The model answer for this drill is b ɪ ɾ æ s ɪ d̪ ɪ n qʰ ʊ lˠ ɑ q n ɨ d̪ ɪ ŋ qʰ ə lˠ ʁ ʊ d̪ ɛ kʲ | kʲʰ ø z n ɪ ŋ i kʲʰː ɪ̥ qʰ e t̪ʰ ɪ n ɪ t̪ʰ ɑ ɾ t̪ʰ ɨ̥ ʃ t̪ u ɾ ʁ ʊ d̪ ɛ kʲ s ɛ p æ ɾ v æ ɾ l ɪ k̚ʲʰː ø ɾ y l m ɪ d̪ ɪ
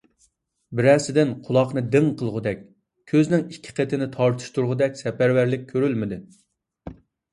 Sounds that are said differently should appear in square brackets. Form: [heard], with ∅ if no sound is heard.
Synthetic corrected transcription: b ɪ ɾ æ s ɪ d̪ ɪ n qʰ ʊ lˠ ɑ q n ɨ d̪ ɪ ŋ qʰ ə lˠ ʁ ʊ d̪ ɛ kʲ | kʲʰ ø z n ɪ ŋ i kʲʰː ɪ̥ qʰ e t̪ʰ ɪ n ɪ t̪ʰ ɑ ɾ t̪ʰ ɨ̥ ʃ t̪ u ɾ ʁ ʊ d̪ ɛ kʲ s ɛ p æ ɾ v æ ɾ l ɪ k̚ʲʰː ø ɾ y l m ɪ d̪ ɪ